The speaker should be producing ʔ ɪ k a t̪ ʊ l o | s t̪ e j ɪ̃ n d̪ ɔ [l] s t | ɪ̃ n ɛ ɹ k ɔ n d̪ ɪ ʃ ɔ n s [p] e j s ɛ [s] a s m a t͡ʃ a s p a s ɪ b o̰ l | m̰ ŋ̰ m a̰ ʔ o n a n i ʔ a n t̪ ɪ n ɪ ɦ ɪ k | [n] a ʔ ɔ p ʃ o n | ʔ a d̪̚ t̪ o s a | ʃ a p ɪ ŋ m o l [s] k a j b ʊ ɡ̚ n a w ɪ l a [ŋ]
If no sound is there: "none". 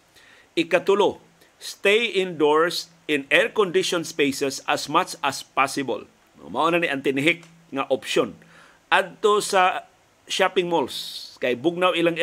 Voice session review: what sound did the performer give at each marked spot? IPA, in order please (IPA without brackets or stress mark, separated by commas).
ɹ, p, s, ŋ, s, ŋ